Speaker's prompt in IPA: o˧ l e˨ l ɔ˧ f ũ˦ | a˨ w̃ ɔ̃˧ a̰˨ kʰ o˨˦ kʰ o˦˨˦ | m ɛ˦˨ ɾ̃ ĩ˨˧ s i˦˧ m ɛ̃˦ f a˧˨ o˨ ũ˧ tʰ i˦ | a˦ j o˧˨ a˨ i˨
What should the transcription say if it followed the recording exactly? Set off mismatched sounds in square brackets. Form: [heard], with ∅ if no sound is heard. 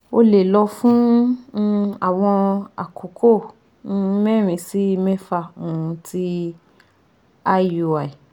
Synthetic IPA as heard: o˧ l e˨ l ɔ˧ f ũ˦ | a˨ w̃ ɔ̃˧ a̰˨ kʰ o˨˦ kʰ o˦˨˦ | m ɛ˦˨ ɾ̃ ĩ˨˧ s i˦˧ m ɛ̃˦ f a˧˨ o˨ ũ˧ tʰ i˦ | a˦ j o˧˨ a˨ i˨